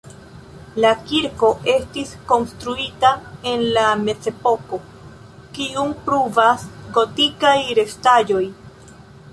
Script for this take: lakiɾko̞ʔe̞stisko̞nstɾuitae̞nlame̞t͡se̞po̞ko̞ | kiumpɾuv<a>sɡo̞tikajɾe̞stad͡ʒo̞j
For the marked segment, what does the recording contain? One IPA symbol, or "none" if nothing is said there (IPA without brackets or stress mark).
a